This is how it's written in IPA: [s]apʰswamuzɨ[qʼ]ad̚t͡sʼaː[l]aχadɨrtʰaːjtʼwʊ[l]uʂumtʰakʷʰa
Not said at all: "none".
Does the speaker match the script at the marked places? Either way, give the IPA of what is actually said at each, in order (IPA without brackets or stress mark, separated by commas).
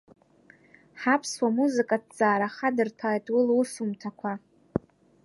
ħ, kʼ, ɾ, l